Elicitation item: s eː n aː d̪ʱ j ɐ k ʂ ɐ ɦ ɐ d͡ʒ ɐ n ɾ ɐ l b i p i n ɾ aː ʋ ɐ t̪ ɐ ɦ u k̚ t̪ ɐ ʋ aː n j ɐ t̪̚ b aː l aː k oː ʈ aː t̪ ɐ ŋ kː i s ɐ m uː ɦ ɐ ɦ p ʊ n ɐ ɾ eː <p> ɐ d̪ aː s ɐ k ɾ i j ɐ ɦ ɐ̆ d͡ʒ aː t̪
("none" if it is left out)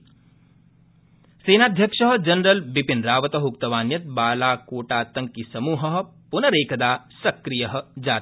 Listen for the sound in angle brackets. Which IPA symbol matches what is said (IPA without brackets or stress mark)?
k